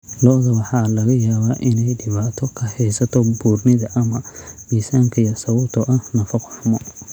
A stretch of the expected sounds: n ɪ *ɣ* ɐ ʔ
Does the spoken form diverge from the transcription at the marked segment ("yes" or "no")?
yes